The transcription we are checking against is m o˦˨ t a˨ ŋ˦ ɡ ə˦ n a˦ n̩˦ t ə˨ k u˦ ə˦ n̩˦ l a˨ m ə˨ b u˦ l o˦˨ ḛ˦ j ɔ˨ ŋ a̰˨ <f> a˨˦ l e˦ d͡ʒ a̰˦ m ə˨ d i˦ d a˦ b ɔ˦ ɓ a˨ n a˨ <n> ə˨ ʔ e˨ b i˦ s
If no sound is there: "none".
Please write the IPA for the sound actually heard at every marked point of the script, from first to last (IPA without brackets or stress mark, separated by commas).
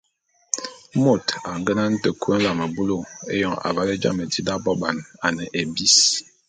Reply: v, n